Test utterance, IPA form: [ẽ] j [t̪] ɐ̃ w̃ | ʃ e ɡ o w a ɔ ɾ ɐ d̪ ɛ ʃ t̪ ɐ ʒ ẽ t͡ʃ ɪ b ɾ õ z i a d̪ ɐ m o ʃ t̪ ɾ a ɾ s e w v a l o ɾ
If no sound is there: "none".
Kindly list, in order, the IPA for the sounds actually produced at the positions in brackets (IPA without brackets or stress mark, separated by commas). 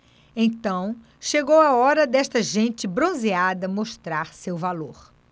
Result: ẽ, t̪